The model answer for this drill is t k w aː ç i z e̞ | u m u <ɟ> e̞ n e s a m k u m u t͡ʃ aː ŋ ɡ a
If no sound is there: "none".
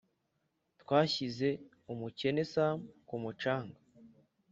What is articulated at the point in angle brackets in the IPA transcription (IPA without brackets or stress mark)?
c